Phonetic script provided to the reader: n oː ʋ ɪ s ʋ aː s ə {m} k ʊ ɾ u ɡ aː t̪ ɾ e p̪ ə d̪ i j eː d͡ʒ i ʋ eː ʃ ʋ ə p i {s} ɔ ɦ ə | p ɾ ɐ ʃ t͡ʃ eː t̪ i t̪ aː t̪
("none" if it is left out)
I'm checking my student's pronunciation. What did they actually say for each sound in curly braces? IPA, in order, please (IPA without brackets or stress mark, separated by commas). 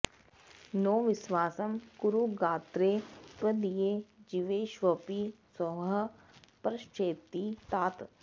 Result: m, s